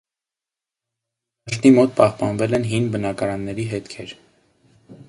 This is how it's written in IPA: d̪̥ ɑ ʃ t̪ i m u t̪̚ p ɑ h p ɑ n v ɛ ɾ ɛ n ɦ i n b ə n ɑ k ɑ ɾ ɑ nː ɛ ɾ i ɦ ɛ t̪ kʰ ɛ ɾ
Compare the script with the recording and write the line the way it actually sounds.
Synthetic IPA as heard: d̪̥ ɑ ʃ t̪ i m ɔ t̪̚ p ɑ h p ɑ n v ɛ l ɛ n ɦ i n b ə n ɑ k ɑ ɾ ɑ nː ɛ ɾ i ɦ ɛ t̪ kʰ ɛ ɾ

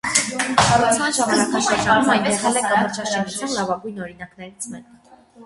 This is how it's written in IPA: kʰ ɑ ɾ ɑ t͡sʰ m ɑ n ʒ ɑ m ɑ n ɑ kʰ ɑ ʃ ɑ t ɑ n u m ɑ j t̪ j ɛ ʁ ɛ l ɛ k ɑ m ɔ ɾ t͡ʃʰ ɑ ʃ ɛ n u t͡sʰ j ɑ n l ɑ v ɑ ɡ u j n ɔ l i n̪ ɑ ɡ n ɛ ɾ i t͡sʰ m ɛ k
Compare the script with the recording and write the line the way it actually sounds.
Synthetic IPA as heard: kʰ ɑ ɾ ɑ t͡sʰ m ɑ n ʒ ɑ m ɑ n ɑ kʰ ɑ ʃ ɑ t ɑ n u m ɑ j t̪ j ɛ ʁ ɛ l ɛ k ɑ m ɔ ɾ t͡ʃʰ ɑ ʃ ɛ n u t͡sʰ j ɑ n l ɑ v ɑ ɡ u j n ɔ ɾ i n̪ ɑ k n ɛ ɾ i t͡sʰ m ɛ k

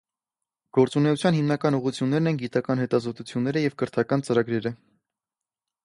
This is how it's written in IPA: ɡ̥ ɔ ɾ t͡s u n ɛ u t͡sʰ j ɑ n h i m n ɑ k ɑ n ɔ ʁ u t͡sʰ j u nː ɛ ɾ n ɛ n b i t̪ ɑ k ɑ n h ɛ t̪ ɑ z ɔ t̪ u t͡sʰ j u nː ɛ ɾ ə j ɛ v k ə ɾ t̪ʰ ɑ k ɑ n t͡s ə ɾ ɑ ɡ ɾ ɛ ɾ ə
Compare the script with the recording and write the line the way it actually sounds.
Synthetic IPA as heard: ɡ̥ ɔ ɾ t͡s u n ɛ u t͡sʰ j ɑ n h i m n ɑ k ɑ n u ʁ u t͡sʰ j u nː ɛ ɾ n ɛ n ɡ i t̪ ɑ k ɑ n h ɛ t̪ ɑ z ɔ t̪ u t͡sʰ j u nː ɛ ɾ ə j ɛ v k ə ɾ t̪ʰ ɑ k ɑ n t͡s ə ɾ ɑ ɡ ɾ ɛ ɾ ə

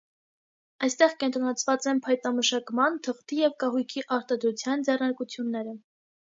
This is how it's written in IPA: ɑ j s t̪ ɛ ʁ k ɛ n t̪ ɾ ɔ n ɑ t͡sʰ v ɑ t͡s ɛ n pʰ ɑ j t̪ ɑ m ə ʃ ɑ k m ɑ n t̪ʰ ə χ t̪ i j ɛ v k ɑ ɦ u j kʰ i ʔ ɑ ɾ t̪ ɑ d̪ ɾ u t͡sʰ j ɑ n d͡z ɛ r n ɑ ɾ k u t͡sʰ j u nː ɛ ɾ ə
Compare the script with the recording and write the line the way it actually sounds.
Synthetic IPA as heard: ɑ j s t̪ ɛ ʁ k ɛ n t̪ ɾ ɔ n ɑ t͡sʰ v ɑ t͡s ɛ n pʰ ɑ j t̪ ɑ m ə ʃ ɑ k m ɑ n t̪ʰ ə χ t̪ i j ɛ v k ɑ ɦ u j kʰ i ʔ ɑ ɾ t̪ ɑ d̪ ɾ u t͡sʰ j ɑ n d͡z ɛ r n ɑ ɾ k u t͡sʰ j u nː ɛ ɾ ə

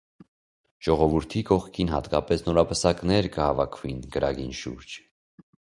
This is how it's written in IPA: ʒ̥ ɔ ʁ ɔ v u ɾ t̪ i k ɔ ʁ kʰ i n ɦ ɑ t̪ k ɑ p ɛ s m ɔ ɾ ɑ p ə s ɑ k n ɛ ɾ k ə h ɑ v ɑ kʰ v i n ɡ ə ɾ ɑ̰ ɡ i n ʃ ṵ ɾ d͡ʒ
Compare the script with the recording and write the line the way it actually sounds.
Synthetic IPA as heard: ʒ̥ ɔ ʁ ɔ v u ɾ t̪ʰ i k ɔ χ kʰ i n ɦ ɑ t̪ k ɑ p ɛ s n ɔ ɾ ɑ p ə s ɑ k n ɛ ɾ k ə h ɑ v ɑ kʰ v i n ɡ ə ɾ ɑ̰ ɡ i n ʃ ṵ ɾ d͡ʒ

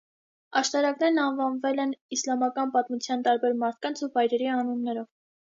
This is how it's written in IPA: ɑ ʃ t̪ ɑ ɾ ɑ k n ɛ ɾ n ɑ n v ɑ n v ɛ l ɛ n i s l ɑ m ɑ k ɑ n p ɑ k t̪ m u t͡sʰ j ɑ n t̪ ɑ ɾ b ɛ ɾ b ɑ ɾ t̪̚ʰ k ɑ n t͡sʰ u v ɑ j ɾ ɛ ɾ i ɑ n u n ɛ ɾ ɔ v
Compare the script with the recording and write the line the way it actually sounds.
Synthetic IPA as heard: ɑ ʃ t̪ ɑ ɾ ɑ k n ɛ ɾ n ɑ n v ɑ n v ɛ l ɛ n i s l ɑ m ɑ k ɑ n p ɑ t̪ m u t͡sʰ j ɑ n t̪ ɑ ɾ b ɛ ɾ m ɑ ɾ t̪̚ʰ k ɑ n t͡sʰ u v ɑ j ɾ ɛ ɾ i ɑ n u nː ɛ ɾ ɔ v

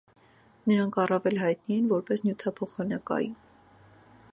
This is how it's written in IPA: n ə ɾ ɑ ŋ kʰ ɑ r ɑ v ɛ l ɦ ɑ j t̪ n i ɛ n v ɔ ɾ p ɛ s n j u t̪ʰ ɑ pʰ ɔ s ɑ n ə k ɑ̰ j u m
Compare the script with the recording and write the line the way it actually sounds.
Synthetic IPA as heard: n ə ɾ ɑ ŋ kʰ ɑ r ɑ v ɛ l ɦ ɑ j t̪ n i ɛ n v ɔ ɾ p ɛ s n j u t̪ʰ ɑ pʰ ɔ χ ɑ n ɑ k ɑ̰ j u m

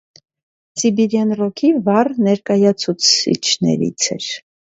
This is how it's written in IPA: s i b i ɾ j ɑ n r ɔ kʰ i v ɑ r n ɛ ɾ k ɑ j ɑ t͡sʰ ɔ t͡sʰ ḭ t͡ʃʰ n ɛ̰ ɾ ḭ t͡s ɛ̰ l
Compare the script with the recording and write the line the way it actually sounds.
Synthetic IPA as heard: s i b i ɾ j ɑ n r ɔ kʰ i v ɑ r n ɛ ɾ k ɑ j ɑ t͡sʰ u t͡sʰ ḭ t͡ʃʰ n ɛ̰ ɾ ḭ t͡sʰ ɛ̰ ɾ

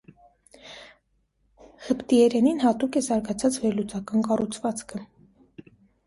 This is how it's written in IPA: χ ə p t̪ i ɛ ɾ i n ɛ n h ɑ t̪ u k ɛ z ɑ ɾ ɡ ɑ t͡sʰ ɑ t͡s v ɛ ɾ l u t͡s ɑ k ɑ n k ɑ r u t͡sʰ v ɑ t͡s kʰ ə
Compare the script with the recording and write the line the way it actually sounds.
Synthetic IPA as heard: h ə p t̪ i ɛ ɾ ɛ n i n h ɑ t̪ u k ɛ z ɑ ɾ ɡ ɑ t͡sʰ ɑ t͡s v ɛ ɾ l u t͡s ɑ k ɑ n k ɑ r u t͡sʰ v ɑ t͡s kʰ ə

